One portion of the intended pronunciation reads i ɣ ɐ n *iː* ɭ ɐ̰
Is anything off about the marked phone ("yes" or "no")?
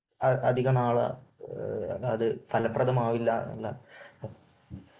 yes